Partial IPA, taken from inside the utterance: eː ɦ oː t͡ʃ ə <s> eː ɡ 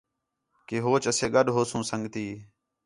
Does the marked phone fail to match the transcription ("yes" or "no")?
no